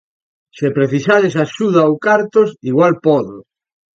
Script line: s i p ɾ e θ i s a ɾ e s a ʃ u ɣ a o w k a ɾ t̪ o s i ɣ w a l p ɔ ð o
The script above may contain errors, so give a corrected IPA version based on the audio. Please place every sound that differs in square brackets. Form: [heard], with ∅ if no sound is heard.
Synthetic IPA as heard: s [e] p ɾ e θ i s a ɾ e s a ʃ u [ð] a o w k a ɾ t̪ o s i ɣ w a l p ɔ ð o